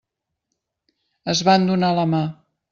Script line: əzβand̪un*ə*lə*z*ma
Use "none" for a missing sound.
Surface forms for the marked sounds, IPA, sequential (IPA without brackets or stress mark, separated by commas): a, none